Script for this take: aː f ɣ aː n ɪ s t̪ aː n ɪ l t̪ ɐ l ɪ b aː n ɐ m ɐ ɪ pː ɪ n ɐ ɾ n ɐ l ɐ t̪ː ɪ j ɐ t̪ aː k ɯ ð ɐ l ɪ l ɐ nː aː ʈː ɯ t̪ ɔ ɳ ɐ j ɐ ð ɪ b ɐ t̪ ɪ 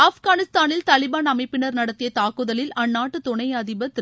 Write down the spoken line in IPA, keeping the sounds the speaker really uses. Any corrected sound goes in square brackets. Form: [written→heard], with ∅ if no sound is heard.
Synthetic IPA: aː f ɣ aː n ɪ s t̪ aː n ɪ l t̪ ɐ l ɪ b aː n ɐ m ɐ ɪ pː ɪ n ɐ ɾ n ɐ [l→ɽ] ɐ t̪ː ɪ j ɐ t̪ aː k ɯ ð ɐ l ɪ l ɐ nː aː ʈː ɯ t̪ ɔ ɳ ɐ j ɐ ð ɪ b ɐ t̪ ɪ